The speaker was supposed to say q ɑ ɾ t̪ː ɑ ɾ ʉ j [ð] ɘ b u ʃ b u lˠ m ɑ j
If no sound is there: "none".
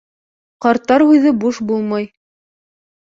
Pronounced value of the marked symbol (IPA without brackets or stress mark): ð